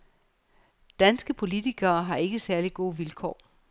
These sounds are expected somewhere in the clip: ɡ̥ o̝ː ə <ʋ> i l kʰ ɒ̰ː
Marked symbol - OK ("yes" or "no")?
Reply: yes